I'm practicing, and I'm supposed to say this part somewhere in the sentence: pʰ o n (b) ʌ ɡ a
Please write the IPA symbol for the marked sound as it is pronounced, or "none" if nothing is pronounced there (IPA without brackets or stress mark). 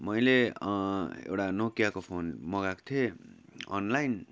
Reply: m